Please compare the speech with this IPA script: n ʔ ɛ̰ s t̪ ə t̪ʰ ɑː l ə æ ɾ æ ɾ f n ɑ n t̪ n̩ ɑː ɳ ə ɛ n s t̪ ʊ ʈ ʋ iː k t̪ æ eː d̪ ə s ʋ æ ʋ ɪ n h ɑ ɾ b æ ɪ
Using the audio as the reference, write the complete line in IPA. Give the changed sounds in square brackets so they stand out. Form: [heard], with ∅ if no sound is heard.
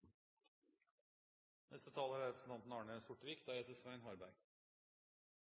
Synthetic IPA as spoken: n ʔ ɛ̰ s t̪ ə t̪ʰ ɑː l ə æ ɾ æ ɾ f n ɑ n t̪ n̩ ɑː ɳ ə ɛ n s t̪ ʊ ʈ ʋ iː k [d̪] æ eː [t̪] ə s ʋ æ [∅] ɪ n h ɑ ɾ b æ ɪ